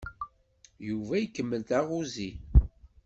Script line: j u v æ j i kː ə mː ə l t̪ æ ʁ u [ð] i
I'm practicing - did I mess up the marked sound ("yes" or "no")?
yes